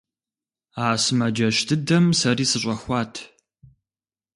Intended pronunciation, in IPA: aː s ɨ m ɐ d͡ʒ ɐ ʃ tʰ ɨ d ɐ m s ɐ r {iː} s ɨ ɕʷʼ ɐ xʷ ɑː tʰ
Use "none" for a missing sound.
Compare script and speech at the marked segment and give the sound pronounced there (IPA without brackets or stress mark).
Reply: iː